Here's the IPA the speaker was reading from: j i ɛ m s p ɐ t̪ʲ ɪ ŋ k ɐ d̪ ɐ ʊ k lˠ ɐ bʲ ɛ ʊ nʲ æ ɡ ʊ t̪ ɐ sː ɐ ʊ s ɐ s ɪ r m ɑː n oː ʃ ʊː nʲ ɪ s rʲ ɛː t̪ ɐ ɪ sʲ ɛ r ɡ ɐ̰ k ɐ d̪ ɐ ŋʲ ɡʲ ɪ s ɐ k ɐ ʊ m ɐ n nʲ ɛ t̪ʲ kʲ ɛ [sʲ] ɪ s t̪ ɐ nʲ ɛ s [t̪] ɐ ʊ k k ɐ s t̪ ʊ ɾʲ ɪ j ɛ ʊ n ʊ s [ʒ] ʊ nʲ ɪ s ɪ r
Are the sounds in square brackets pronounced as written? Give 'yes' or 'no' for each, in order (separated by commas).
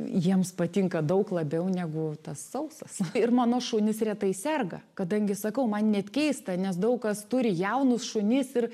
no, no, no